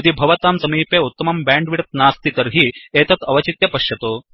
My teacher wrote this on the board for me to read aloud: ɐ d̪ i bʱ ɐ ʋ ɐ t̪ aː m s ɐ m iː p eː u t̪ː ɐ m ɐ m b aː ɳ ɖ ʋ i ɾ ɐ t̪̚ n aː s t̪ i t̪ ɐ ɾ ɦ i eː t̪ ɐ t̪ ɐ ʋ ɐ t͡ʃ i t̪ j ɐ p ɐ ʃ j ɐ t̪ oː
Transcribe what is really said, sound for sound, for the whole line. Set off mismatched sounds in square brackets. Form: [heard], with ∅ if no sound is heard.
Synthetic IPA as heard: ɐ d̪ i bʱ ɐ ʋ ɐ t̪ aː m s ɐ m iː p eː u t̪ː ɐ m ɐ m b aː ɳ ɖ ʋ i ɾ ɐ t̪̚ n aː s t̪ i t̪ ɐ ɾ ɦ i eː t̪ ɐ t̪ ɐ ʋ ɐ t͡ʃ i t̪ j ɐ p ɐ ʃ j ɐ t̪ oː